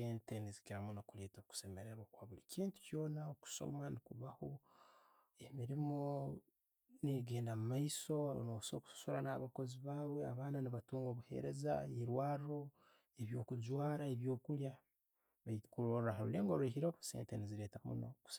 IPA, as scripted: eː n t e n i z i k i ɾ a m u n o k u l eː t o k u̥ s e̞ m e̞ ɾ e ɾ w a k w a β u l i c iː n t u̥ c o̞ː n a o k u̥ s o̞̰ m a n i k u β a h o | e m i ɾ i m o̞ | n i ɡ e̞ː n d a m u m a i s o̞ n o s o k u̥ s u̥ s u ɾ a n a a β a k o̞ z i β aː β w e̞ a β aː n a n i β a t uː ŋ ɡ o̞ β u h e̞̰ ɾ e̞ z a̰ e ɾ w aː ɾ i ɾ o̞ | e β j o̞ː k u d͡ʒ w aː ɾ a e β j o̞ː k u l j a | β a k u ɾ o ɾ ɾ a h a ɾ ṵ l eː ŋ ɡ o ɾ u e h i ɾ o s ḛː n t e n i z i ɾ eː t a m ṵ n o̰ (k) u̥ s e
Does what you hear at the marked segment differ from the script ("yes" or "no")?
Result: no